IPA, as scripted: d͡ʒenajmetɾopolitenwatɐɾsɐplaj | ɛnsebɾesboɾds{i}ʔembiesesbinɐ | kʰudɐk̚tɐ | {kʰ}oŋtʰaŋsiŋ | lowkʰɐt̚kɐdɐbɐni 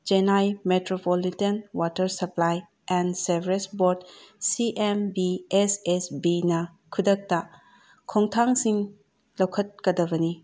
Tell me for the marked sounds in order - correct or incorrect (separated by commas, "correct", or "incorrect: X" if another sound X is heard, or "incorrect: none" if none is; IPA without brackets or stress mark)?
correct, correct